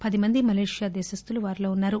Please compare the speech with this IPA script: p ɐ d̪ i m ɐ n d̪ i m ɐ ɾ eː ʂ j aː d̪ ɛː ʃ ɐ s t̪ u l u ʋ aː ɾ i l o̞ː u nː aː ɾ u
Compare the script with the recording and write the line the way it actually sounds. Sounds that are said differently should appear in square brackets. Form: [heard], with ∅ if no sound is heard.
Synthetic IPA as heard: p ɐ d̪ i m ɐ n d̪ i m ɐ [l] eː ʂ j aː d̪ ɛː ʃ ɐ s t̪ u l u ʋ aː ɾ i l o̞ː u nː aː ɾ u